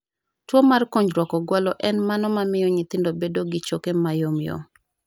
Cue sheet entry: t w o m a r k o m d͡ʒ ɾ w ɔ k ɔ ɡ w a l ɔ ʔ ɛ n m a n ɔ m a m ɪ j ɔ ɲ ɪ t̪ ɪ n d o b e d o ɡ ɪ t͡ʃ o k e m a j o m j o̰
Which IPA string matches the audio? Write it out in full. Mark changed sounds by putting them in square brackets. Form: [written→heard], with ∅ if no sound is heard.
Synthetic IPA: t w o m a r k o [m→ɲ] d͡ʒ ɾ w ɔ k ɔ ɡ w a l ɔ ʔ ɛ n m a n ɔ m a m ɪ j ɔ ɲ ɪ t̪ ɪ n d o b e d o ɡ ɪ t͡ʃ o k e m a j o m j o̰